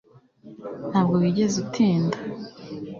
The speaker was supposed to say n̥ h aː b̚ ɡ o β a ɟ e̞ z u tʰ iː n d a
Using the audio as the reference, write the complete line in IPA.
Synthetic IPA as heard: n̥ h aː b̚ ɡ o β i ɟ e̞ z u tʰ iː n d a